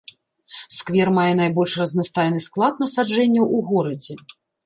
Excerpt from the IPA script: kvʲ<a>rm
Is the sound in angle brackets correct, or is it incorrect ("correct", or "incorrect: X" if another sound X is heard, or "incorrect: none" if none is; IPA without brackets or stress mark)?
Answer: incorrect: ɛ